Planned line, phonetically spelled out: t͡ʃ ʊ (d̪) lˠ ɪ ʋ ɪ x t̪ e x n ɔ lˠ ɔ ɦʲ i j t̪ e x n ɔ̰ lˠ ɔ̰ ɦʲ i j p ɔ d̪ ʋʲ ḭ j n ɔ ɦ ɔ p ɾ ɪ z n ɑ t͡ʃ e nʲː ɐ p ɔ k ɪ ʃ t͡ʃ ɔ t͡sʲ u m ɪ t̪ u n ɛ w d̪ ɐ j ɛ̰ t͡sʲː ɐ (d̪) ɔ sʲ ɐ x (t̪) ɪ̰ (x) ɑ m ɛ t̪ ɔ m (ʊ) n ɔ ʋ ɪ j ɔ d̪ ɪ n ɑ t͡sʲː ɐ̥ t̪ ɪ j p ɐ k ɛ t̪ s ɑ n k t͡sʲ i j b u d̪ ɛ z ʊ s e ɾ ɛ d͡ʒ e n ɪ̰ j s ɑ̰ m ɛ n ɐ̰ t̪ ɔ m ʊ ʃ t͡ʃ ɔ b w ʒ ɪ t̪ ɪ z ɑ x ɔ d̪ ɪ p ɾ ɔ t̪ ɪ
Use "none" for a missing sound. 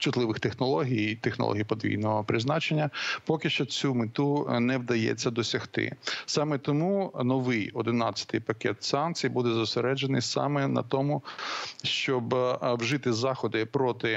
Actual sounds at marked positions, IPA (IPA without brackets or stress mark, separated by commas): t̪, d̪, t̪, s, u